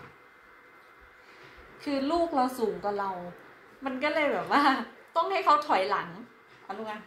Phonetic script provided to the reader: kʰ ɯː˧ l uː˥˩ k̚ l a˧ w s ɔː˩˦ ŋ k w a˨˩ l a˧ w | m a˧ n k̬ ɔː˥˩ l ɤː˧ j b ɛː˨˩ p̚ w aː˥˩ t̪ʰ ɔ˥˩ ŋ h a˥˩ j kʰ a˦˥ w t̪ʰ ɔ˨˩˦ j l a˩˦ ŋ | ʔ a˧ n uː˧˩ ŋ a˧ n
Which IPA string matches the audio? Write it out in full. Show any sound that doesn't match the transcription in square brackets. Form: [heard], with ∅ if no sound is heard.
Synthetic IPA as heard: kʰ ɯː˧ l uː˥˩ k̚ l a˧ w s [uː˩˦] ŋ k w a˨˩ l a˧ w | m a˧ n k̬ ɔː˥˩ l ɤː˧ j b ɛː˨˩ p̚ w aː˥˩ [t̪] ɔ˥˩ ŋ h a˥˩ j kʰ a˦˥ w t̪ʰ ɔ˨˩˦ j l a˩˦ ŋ | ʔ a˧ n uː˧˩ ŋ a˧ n

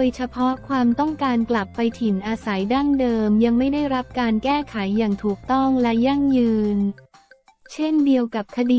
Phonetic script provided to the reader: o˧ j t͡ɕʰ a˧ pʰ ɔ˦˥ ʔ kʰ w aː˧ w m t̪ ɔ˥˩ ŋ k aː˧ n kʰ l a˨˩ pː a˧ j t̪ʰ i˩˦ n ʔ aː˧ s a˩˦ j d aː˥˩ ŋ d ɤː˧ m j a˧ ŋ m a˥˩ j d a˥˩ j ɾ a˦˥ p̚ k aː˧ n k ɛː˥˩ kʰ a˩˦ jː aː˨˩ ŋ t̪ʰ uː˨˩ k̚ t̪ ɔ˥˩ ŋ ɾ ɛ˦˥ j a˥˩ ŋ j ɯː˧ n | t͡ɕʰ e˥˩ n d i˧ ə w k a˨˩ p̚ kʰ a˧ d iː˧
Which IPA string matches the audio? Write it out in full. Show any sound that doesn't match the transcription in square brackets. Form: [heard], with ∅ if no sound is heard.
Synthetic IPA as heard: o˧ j t͡ɕʰ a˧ pʰ ɔ˦˥ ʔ kʰ w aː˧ [∅] m t̪ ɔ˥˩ ŋ k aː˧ n [k] l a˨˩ pː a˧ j t̪ʰ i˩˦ n ʔ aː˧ s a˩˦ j d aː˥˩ ŋ d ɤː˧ m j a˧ ŋ m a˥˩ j d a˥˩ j ɾ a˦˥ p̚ k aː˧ n k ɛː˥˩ kʰ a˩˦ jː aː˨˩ ŋ t̪ʰ uː˨˩ k̚ t̪ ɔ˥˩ ŋ [l] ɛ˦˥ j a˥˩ ŋ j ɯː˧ n | t͡ɕʰ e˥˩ n d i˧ ə w k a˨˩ p̚ kʰ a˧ d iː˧

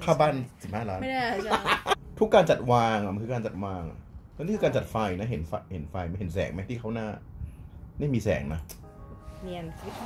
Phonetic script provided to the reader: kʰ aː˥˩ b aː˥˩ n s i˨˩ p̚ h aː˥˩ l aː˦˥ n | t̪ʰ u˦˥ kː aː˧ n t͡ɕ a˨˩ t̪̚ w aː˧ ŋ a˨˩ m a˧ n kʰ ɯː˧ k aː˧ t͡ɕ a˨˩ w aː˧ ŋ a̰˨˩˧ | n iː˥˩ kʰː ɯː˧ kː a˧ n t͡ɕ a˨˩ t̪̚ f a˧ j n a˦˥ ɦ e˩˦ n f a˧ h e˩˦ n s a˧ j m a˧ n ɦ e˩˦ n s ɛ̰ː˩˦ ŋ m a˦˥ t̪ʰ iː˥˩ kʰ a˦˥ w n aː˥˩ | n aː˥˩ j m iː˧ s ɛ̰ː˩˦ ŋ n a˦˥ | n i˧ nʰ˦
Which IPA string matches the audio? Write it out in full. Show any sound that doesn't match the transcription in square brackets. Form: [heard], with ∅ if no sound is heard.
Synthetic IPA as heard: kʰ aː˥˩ b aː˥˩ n s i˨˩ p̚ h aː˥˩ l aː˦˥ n | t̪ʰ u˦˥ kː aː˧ n t͡ɕ a˨˩ t̪̚ w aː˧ ŋ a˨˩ m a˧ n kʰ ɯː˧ k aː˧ t͡ɕ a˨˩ w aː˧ ŋ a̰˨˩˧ | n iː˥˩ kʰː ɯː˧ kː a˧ n t͡ɕ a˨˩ t̪̚ f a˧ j n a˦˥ ɦ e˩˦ n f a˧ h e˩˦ n [f] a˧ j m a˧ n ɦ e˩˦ n s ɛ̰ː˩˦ ŋ m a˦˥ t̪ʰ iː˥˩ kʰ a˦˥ w n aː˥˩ | n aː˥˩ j m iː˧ s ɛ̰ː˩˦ ŋ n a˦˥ | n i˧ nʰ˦

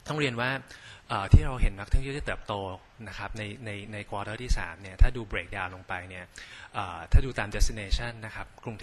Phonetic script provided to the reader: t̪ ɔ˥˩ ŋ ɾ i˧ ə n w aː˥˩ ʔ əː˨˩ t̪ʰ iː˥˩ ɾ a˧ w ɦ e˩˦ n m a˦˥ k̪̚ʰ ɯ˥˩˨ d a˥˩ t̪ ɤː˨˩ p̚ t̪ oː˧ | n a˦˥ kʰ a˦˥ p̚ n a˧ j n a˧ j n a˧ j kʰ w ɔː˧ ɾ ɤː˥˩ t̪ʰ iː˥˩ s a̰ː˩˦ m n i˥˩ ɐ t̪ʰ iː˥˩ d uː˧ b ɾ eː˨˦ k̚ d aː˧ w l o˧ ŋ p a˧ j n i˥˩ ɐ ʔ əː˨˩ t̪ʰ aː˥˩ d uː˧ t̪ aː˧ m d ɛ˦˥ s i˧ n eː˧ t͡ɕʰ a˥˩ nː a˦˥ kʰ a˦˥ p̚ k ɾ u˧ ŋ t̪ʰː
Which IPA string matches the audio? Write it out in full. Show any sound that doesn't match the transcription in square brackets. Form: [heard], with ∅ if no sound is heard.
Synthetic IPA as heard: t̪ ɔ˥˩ ŋ ɾ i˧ ə n w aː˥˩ ʔ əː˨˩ t̪ʰ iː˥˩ ɾ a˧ w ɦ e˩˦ n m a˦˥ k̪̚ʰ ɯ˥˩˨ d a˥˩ t̪ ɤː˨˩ p̚ t̪ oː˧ | n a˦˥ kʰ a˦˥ p̚ n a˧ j n a˧ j n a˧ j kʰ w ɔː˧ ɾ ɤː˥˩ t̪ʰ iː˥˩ s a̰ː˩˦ m n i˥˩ ɐ t̪ʰ [aː˥˩] d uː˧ b ɾ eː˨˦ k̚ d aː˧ w l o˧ ŋ p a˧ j n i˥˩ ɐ ʔ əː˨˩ t̪ʰ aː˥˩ d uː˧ t̪ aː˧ m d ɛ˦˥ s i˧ n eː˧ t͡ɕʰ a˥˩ nː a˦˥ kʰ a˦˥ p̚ k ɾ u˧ ŋ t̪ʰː

